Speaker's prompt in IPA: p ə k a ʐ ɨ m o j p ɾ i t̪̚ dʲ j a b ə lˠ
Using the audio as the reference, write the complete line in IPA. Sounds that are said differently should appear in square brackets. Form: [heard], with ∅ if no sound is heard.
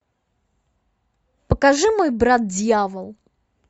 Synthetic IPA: p ə k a ʐ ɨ m o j [b] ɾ [a] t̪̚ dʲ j a [v] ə lˠ

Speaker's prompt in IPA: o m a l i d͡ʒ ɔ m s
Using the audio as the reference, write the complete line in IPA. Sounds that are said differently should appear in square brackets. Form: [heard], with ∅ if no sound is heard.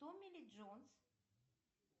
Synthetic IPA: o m [i] l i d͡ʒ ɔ [n] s

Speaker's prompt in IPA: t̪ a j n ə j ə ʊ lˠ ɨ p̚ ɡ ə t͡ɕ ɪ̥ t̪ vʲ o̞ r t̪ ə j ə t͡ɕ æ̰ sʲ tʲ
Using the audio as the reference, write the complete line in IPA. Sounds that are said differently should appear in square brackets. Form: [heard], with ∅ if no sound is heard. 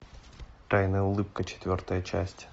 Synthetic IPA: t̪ a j n ə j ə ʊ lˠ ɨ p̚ [k] ə t͡ɕ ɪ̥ t̪ vʲ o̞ r t̪ ə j ə t͡ɕ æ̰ sʲ tʲ

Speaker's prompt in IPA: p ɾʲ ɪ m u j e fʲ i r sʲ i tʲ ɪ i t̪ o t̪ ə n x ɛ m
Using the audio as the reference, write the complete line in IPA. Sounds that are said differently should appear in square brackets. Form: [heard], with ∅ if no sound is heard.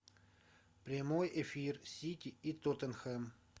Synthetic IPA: p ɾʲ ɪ m [o] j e fʲ i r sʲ i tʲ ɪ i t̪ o t̪ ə n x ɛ m

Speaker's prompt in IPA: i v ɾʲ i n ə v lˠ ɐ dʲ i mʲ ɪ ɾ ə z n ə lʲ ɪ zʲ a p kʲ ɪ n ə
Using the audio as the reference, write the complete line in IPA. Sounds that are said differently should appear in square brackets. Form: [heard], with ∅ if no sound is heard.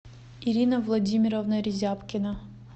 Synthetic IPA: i [∅] ɾʲ i n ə v lˠ ɐ dʲ i mʲ ɪ ɾ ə [v] n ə [ɾʲ] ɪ zʲ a p kʲ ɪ n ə

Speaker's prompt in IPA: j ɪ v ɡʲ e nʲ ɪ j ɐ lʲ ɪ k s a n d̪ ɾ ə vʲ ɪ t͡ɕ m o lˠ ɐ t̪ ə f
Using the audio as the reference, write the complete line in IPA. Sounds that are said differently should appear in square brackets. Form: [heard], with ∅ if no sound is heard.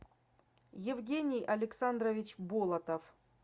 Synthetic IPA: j ɪ v ɡʲ e nʲ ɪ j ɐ lʲ ɪ k s a n d̪ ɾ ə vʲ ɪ t͡ɕ [b] o lˠ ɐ t̪ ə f

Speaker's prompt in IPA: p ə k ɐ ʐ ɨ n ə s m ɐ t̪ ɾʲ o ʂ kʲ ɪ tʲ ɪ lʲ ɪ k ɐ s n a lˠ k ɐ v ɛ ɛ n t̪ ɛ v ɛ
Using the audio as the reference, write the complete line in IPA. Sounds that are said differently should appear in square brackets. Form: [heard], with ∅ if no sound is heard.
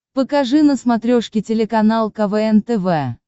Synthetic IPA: p ə k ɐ ʐ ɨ n ə s m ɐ t̪ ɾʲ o ʂ kʲ ɪ tʲ ɪ lʲ ɪ k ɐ [∅] n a lˠ k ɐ v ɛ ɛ n t̪ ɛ v ɛ

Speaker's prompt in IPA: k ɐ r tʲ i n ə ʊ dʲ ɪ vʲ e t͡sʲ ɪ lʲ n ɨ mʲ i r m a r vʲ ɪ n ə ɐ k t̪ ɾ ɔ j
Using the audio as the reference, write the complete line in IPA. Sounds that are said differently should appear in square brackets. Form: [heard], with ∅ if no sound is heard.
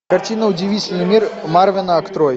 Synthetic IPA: k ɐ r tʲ i n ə ʊ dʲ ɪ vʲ [i] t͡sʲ ɪ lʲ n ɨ mʲ i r m a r vʲ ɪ n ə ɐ k t̪ ɾ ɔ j

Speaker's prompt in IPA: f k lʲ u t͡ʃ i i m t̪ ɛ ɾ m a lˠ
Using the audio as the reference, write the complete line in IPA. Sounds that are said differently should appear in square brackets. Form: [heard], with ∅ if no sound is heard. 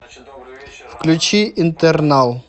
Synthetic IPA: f k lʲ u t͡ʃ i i [n] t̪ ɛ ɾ [n] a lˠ

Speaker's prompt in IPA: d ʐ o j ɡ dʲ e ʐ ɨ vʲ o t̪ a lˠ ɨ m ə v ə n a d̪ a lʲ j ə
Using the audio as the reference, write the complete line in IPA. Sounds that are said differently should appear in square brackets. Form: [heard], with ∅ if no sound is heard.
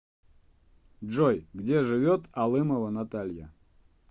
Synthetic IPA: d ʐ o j ɡ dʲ e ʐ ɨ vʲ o t̪ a lˠ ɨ m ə v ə n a [t̪] a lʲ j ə

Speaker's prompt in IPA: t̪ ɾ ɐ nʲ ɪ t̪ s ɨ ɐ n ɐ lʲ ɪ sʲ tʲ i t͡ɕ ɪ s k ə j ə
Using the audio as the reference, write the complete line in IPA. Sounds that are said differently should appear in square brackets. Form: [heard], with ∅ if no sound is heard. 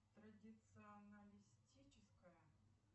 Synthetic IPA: t̪ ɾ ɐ [dʲ] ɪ t̪ s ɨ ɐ n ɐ lʲ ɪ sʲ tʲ i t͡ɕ ɪ s k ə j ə

